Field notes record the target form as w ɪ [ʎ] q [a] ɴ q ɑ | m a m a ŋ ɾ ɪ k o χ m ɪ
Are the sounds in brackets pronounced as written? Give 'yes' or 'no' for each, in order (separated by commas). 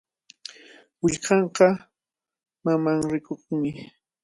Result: yes, no